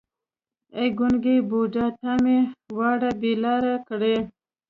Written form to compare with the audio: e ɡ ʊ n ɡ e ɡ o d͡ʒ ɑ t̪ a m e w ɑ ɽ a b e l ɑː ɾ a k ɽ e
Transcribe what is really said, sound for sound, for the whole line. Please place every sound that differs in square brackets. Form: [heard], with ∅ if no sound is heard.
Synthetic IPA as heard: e ɡ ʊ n ɡ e [b] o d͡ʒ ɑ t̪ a m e w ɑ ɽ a b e l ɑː ɾ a k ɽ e